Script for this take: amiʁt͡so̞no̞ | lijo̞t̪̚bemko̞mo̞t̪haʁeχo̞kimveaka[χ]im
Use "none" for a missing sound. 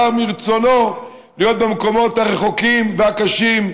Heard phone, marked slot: ʃ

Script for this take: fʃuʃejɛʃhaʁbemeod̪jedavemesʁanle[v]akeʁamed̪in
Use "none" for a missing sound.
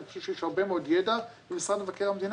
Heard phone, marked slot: v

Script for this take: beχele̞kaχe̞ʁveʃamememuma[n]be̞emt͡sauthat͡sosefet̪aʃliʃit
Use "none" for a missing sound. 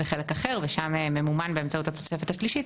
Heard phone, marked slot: n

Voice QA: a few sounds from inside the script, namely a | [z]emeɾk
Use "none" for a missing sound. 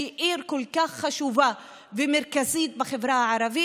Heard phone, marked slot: v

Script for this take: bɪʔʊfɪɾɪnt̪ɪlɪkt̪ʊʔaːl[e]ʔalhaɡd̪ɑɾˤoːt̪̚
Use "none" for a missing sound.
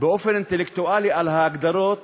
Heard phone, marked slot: i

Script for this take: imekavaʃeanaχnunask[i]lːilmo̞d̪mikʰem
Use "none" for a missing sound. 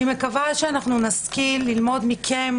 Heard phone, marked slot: i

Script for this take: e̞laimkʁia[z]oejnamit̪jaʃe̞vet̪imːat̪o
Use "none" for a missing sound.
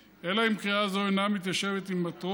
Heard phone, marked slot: z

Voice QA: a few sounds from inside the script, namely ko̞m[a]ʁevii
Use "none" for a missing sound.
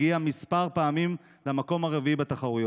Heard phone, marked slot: a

